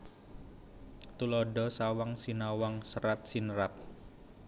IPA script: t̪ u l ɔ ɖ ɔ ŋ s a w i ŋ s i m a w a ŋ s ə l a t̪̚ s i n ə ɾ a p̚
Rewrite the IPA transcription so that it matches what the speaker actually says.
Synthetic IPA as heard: t̪ u l ɔ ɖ ɔ s a w a ŋ s i n a w a ŋ s ə ɾ a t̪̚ s i n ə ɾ a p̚

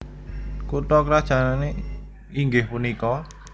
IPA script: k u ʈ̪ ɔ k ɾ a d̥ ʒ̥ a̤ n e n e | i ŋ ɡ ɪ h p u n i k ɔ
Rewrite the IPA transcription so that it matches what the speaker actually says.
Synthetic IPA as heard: k u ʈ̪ ɔ k ɾ a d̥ ʒ̥ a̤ n a n e | i ŋ ɡ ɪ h p u n i k ɔ

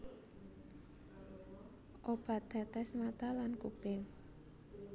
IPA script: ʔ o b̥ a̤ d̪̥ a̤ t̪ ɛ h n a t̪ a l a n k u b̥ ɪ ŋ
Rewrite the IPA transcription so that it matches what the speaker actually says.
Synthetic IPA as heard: ʔ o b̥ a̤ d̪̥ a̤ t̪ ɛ s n a t̪ a l a n k u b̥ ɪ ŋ

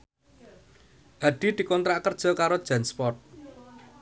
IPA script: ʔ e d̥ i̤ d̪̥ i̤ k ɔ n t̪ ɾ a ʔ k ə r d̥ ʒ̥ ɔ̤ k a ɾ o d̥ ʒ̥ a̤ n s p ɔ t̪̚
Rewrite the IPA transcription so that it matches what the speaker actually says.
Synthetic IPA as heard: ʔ a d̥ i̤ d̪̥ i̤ k ɔ n t̪ ɾ a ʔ k ə r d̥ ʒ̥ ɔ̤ k a ɾ o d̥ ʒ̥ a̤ n s p ɔ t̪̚

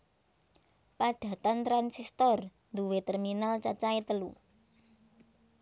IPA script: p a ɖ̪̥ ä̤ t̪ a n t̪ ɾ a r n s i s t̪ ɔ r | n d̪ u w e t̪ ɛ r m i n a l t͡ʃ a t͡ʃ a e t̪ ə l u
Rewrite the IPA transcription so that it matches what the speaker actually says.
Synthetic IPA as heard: p a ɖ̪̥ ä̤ t̪ a n t̪ ɾ a n s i s t̪ ɔ r | n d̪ u w e t̪ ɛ r m i n a l t͡ʃ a t͡ʃ a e t̪ ə l u

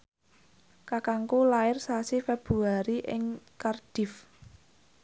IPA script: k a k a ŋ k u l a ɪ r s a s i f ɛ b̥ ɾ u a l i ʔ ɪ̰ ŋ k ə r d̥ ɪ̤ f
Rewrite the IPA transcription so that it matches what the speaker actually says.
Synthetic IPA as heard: k a k a ŋ k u l a ɪ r s a s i f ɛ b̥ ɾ u a ɾ i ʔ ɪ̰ ŋ k a r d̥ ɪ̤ f

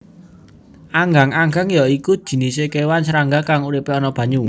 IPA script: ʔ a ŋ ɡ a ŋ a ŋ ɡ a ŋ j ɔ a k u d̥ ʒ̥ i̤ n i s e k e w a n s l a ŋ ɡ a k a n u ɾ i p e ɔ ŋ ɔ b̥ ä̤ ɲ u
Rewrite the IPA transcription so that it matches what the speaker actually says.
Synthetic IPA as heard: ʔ a ŋ ɡ a ŋ a ŋ ɡ a ŋ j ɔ i k u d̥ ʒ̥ i̤ n i s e k e w a n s ɾ a ŋ ɡ a k a ŋ u ɾ i p e ɔ n ɔ b̥ ä̤ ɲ u

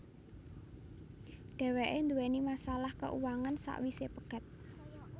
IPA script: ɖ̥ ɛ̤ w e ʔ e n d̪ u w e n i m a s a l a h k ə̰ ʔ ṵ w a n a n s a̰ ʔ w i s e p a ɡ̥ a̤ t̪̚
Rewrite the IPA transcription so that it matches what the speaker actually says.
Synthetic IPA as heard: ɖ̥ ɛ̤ w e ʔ e n d̪ u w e n i m a s a l a h k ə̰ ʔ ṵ w a ŋ a n s a̰ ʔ w i s e p ə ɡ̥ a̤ t̪̚

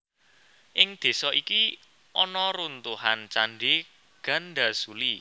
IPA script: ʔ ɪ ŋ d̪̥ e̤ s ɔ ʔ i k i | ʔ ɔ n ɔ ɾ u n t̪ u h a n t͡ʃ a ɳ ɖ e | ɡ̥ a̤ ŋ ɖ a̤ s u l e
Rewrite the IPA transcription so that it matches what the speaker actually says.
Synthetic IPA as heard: ʔ ɪ ŋ d̪̥ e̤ s ɔ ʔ i k i | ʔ ɔ n ɔ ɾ u n t̪ u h a n t͡ʃ a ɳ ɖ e | ɡ̥ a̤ n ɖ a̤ s u l i

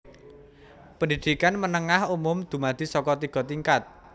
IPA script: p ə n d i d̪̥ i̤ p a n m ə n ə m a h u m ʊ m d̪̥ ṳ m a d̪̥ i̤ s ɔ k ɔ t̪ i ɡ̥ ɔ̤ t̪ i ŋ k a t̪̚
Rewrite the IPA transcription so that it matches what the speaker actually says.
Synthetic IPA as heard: p ə n d i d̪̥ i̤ k a n m ə n ə ŋ a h u m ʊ m d̪̥ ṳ m a d̪̥ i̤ s ɔ k ɔ t̪ i ɡ̥ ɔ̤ t̪ i ŋ k a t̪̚

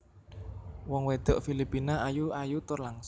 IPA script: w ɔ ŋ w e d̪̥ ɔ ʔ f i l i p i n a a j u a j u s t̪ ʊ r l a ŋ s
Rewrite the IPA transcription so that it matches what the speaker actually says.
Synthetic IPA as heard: w ɔ ŋ w e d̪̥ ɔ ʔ f i l i p i n a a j u a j u t̪ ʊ r l a ŋ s

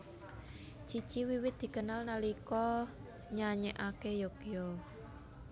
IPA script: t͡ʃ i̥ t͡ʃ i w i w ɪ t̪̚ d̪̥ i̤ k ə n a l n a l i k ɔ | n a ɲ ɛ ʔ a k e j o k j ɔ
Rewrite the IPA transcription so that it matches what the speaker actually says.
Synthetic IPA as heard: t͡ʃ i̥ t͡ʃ i w i w ɪ t̪̚ d̪̥ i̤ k ə n a l n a l i k ɔ | ɲ a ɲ ɛ ʔ a k e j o k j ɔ

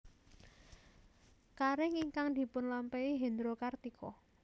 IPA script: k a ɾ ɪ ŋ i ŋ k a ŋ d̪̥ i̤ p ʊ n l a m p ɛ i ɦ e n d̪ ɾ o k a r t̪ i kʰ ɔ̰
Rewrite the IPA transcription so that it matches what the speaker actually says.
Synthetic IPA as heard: k a ɾ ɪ ŋ i ŋ k a ŋ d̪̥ i̤ p ʊ n l a m p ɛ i ɦ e n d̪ ɾ o k a r t̪ i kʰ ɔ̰

